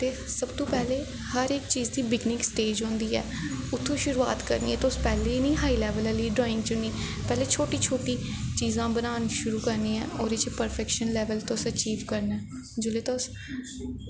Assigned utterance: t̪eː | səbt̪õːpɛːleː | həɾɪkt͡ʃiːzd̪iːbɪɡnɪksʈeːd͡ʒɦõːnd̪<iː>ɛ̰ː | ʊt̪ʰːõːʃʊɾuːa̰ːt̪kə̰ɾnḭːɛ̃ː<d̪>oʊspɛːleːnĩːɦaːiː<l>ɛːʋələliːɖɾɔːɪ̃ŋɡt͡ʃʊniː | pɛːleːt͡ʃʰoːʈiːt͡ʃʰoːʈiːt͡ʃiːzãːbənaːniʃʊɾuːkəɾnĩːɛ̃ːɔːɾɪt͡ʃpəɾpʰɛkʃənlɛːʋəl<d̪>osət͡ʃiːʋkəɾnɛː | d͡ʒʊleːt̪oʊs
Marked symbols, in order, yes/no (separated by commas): yes, no, yes, no